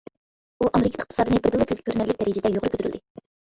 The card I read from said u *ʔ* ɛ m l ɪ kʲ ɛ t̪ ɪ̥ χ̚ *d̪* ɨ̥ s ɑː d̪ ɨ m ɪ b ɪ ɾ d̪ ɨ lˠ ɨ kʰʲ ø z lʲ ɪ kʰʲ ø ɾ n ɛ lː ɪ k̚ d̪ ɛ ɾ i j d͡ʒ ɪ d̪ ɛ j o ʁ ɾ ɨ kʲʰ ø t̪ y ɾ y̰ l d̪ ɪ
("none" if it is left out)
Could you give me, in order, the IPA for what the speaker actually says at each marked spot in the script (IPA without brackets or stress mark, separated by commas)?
ʔ, t̪